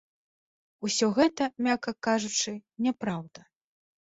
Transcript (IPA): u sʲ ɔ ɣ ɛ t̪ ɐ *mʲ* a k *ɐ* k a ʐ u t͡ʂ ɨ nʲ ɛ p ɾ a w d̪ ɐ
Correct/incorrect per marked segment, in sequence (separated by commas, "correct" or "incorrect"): correct, correct